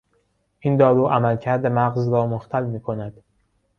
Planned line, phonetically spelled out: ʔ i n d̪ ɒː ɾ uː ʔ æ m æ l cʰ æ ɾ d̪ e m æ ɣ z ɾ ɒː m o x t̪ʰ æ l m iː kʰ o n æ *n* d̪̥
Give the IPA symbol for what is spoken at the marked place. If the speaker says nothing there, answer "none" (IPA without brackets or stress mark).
none